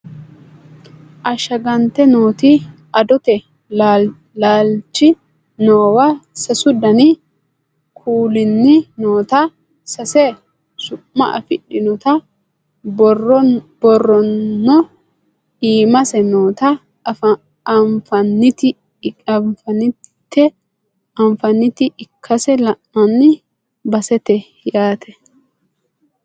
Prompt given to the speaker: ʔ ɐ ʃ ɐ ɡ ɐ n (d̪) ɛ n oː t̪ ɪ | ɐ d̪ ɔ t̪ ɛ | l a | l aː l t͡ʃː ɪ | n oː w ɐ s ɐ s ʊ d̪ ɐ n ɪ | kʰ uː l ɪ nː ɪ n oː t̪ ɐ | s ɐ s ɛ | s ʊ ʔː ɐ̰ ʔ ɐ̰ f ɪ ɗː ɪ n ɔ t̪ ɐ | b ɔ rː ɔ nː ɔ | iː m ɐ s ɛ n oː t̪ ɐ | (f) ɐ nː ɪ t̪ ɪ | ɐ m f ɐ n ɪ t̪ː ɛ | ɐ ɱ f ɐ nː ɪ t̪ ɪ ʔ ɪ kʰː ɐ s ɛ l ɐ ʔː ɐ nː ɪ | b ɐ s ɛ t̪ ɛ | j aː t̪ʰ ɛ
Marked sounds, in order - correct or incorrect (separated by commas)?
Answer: incorrect, correct